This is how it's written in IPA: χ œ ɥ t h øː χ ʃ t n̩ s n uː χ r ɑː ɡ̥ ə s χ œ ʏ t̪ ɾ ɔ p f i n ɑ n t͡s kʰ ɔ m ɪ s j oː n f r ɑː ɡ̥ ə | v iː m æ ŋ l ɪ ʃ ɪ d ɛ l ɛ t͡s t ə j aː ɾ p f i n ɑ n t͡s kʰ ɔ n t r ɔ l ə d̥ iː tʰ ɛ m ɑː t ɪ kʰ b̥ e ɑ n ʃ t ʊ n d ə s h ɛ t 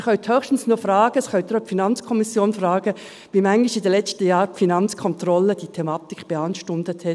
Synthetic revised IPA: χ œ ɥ t h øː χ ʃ t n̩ s n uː f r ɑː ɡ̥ ə s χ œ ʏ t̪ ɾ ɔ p f i n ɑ n t͡s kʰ ɔ m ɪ s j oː n f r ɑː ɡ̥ ə | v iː m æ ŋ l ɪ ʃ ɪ d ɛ l ɛ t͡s t ə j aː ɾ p f i n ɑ n t͡s kʰ ɔ n t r ɔ l ə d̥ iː tʰ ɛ m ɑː t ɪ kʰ b̥ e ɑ n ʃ t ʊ n d ə t h ɛ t